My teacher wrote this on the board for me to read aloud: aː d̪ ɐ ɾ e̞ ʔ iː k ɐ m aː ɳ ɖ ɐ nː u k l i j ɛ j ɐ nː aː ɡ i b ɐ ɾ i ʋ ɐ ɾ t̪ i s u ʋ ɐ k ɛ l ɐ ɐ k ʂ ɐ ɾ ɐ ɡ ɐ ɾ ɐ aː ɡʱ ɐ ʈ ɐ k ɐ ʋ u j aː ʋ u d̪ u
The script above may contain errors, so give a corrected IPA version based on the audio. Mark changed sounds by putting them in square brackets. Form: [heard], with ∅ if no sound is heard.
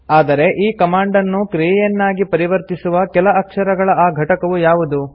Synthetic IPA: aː d̪ ɐ ɾ e̞ ʔ iː k ɐ m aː ɳ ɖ ɐ nː u k [ɾ] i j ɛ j ɐ nː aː ɡ i [p] ɐ ɾ i ʋ ɐ ɾ t̪ i s u ʋ ɐ k ɛ l ɐ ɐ k ʂ ɐ ɾ ɐ ɡ ɐ [ɭ] ɐ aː ɡʱ ɐ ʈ ɐ k ɐ ʋ u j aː ʋ u d̪ u